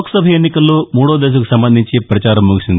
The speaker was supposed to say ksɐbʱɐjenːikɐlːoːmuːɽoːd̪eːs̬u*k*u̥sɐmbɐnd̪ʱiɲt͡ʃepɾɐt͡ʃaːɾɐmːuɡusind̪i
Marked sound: correct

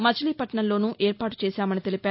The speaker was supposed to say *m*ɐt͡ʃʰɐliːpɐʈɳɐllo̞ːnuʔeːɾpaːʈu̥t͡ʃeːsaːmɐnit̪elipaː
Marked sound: correct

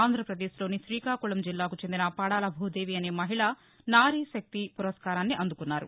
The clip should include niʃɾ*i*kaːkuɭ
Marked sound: incorrect: iː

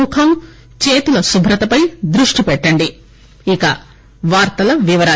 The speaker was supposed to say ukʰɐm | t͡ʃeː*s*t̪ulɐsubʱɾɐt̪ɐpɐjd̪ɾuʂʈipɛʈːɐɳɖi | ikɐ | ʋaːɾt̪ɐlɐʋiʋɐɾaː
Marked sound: incorrect: none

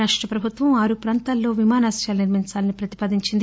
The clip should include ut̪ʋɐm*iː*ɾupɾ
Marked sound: incorrect: aː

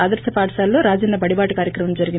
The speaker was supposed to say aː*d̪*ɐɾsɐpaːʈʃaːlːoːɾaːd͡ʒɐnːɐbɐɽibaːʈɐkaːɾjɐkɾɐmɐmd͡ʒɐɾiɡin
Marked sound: correct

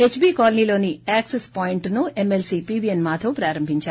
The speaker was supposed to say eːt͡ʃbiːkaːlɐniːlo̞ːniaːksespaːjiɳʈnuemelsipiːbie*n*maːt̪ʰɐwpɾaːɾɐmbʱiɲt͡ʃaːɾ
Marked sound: correct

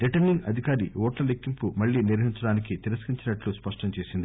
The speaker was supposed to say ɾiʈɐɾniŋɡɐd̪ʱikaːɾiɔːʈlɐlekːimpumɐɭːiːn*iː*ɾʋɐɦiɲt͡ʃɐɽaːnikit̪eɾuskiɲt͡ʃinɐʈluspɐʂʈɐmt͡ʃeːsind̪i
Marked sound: incorrect: i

